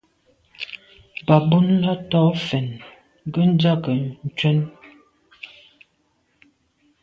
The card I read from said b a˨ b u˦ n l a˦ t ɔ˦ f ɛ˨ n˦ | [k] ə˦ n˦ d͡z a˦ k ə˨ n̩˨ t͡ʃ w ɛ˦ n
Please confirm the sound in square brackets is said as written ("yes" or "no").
no